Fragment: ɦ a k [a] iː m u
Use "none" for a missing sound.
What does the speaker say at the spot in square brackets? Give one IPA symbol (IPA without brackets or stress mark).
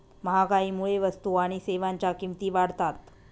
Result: a